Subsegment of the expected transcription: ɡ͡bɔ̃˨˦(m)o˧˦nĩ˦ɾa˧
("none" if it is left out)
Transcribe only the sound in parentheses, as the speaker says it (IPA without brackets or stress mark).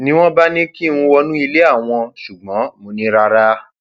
m